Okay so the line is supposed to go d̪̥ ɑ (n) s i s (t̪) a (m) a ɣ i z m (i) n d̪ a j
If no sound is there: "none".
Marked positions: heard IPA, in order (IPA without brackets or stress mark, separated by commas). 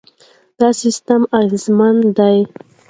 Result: none, t̪, m, a